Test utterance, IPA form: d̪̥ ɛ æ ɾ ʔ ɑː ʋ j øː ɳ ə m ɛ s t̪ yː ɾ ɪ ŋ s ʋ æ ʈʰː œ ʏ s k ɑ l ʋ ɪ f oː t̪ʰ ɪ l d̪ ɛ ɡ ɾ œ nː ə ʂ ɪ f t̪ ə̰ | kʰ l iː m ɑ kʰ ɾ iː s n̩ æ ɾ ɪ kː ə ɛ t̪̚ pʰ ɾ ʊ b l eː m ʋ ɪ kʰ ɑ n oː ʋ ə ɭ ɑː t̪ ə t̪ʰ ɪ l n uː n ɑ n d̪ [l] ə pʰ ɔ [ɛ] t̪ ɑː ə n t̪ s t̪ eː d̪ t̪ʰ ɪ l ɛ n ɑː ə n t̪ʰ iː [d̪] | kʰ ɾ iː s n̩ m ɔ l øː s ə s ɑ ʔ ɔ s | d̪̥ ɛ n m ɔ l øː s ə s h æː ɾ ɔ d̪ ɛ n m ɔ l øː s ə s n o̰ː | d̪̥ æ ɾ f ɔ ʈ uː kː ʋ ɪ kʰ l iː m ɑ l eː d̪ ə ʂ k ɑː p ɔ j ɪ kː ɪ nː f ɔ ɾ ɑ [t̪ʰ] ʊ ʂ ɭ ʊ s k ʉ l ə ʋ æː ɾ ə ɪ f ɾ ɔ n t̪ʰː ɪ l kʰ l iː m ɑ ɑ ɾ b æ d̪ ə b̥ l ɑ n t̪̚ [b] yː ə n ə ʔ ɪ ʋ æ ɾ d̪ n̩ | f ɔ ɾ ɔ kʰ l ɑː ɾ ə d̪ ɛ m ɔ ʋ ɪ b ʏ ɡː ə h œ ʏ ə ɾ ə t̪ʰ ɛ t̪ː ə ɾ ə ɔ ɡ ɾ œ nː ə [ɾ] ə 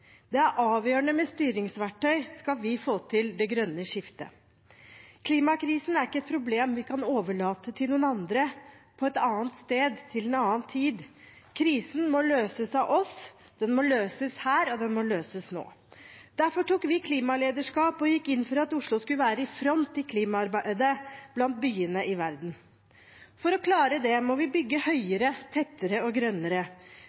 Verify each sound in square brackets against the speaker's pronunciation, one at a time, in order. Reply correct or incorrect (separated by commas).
incorrect, correct, correct, incorrect, correct, correct